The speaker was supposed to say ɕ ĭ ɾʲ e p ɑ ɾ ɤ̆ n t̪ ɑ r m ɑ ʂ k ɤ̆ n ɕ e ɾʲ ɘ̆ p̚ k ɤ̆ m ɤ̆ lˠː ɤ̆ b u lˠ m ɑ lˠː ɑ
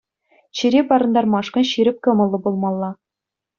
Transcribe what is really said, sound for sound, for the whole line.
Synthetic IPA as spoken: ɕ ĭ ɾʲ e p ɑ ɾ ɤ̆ n d̪ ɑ r m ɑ ʂ k ɤ̆ n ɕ i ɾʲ ɘ̆ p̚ k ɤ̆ m ɤ̆ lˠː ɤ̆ b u lˠ m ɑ lˠː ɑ